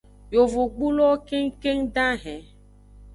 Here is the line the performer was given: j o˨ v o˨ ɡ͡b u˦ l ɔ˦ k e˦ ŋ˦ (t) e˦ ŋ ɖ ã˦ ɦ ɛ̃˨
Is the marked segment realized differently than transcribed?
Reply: yes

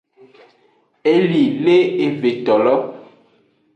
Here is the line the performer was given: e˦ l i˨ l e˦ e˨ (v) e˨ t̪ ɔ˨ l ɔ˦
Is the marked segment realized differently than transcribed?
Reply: no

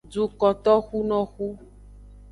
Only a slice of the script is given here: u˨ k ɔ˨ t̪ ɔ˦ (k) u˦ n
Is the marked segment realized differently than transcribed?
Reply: yes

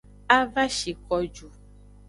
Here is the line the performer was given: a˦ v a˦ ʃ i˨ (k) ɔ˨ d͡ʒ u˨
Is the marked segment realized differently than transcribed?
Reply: no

